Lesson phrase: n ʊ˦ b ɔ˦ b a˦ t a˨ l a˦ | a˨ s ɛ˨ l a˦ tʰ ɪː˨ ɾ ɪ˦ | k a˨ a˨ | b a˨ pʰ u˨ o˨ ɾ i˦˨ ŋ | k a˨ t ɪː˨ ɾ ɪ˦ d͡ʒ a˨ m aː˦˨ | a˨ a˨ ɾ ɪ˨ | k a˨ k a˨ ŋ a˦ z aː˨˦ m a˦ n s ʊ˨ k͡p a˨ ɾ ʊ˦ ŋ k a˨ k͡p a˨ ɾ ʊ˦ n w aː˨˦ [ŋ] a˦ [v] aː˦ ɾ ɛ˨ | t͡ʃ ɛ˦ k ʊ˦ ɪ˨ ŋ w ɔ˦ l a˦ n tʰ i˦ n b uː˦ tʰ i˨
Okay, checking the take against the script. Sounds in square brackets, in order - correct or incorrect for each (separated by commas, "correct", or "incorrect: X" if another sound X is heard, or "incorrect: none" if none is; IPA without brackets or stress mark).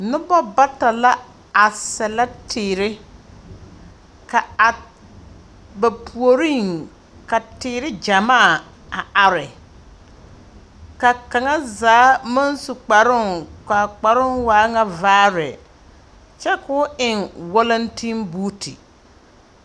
correct, correct